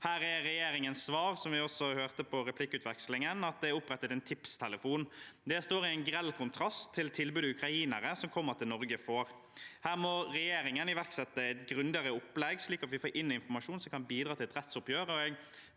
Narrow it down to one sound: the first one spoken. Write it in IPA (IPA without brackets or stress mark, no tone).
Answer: h